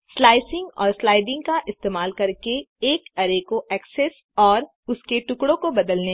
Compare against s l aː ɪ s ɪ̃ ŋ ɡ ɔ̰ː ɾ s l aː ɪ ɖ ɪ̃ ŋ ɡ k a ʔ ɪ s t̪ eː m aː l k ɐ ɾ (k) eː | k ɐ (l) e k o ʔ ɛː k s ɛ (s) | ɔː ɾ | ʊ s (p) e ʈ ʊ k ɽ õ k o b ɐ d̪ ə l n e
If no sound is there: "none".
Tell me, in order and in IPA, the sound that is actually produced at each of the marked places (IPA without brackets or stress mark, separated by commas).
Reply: k, ɾ, s, k